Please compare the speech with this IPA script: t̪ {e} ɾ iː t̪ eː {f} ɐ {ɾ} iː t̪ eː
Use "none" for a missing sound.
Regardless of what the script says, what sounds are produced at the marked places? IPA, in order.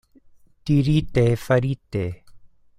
i, f, ɾ

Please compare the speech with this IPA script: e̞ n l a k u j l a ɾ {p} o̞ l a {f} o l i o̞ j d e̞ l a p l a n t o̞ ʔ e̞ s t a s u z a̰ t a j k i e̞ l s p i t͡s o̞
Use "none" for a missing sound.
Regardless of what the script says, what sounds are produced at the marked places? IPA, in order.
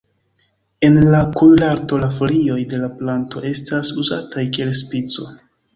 t, f

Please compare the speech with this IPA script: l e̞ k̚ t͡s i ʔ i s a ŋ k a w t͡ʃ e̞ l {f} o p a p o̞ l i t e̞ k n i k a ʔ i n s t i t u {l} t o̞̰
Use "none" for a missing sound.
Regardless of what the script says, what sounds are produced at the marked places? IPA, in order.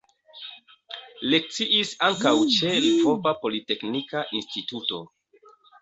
f, none

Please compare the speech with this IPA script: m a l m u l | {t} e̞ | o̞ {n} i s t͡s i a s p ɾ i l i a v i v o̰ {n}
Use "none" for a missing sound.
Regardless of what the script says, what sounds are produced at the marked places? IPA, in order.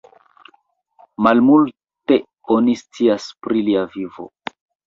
t, n, none

